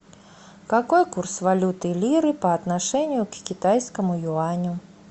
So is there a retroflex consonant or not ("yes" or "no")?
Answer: yes